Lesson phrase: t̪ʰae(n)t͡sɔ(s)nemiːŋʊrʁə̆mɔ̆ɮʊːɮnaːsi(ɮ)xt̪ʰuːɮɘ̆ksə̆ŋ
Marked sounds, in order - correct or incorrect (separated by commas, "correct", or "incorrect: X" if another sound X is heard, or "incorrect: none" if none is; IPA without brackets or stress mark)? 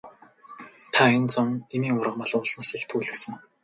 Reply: correct, incorrect: none, incorrect: none